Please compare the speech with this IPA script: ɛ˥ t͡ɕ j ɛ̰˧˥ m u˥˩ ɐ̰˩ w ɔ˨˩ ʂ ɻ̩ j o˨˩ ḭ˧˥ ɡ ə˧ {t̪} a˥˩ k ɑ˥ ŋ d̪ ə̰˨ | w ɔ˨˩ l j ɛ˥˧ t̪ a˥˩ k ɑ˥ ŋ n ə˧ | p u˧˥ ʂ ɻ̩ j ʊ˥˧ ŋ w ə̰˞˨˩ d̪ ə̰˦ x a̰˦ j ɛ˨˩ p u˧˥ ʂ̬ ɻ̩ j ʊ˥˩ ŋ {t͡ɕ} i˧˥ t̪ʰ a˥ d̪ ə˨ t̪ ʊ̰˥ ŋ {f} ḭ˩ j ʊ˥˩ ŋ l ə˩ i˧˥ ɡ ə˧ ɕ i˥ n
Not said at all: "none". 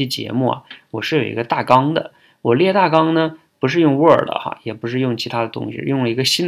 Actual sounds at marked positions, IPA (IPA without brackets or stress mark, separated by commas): t̪, t͡ɕʰ, ɕ